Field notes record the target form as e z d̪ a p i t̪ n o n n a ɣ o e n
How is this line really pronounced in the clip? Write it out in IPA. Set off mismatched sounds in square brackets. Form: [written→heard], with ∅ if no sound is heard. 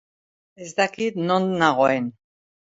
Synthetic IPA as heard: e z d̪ a [p→k] i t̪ n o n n a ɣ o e n